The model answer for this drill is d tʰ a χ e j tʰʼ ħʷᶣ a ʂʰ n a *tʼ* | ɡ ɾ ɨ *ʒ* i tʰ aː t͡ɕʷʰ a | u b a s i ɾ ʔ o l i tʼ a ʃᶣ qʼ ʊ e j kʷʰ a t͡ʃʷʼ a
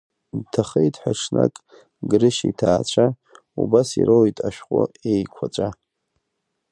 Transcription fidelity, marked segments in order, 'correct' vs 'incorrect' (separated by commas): incorrect, incorrect